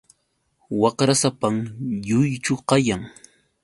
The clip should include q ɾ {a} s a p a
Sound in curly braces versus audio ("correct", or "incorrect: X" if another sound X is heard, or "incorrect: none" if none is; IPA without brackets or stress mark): correct